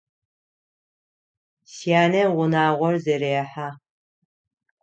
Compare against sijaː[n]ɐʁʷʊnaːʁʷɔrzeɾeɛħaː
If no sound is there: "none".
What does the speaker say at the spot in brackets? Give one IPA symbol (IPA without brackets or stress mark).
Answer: n